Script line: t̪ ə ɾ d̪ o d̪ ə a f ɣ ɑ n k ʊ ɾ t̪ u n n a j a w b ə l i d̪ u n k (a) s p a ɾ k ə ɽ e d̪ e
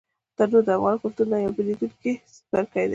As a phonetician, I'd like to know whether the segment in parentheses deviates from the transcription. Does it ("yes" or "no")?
yes